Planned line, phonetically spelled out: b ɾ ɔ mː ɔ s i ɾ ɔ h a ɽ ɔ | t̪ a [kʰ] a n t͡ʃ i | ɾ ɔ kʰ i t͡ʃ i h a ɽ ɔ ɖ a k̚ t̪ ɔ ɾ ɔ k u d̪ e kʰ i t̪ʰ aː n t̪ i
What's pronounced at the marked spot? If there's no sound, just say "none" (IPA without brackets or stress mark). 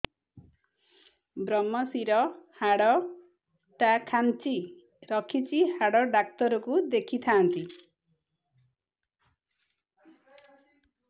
kʰ